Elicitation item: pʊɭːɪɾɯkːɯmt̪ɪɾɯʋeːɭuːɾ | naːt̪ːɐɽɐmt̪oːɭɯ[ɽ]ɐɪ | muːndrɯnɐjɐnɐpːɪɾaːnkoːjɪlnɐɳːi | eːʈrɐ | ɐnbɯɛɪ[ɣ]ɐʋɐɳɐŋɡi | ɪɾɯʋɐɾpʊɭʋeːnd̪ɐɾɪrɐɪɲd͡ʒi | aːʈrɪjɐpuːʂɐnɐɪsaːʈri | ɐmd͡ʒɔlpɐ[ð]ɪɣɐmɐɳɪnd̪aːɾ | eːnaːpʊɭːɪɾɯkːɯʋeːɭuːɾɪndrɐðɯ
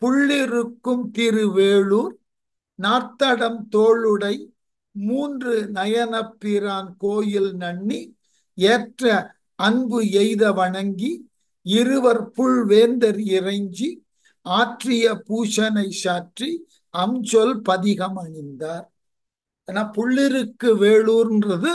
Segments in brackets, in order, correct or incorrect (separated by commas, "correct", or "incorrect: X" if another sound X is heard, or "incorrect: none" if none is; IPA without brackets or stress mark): correct, incorrect: ð, correct